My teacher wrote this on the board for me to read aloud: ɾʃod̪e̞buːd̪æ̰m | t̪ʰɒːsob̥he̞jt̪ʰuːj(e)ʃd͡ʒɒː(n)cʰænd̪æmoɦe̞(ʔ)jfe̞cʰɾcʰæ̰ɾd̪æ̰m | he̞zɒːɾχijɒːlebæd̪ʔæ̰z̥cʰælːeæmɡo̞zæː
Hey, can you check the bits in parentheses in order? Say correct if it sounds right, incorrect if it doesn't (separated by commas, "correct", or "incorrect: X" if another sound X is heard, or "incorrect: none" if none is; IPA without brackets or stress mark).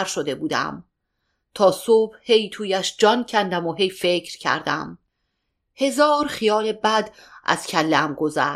incorrect: æ, correct, incorrect: none